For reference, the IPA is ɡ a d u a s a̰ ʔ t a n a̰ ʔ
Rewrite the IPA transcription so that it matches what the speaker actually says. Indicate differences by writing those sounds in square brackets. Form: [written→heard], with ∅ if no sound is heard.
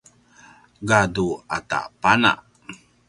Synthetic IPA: ɡ a d u a [s→t] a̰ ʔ [t→p] a n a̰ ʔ